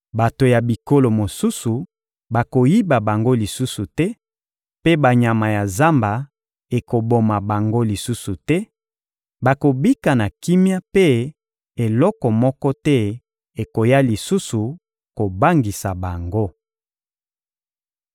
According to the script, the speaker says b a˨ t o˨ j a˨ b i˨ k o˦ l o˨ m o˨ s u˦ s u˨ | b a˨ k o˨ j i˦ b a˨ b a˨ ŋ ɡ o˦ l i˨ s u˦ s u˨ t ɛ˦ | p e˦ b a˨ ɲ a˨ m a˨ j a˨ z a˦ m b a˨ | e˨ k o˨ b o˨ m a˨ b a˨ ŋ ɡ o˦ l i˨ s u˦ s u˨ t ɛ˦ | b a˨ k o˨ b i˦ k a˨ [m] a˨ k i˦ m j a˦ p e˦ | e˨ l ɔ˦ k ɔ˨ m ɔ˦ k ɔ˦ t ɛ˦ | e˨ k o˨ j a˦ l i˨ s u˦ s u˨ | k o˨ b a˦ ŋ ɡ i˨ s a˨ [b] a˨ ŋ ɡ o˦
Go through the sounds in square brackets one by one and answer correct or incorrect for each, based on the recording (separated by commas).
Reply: incorrect, correct